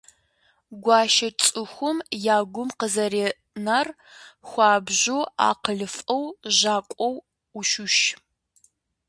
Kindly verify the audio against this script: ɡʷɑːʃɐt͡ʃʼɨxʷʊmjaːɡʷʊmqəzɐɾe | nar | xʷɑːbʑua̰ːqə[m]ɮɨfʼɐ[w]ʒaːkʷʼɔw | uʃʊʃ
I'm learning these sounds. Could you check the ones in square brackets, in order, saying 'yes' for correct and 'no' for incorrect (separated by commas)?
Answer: no, yes